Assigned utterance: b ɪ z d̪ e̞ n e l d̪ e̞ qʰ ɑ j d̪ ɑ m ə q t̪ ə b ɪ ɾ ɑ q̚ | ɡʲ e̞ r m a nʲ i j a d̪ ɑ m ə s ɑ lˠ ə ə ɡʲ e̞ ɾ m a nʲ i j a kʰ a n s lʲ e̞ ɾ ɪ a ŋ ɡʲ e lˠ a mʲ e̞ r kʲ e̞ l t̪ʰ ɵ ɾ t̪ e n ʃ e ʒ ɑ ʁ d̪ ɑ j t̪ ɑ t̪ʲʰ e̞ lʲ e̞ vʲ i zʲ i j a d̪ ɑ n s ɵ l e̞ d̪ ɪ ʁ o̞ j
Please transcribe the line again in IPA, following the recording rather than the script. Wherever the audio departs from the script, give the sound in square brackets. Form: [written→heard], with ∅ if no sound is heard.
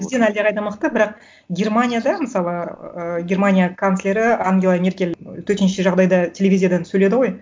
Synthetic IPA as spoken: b ɪ z d̪ e̞ n [e→æ] l d̪ e̞ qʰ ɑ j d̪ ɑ m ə q t̪ ə b ɪ ɾ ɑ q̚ | ɡʲ e̞ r m a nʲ i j a d̪ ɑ m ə s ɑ lˠ ə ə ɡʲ e̞ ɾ m a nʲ i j a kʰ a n s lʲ e̞ ɾ ɪ a ŋ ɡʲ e lˠ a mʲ e̞ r kʲ e̞ l t̪ʰ ɵ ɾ t̪ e n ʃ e ʒ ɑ ʁ d̪ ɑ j [t̪→d̪] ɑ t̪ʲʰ e̞ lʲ e̞ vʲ i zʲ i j a d̪ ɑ n s ɵ l e̞ d̪ ɪ ʁ o̞ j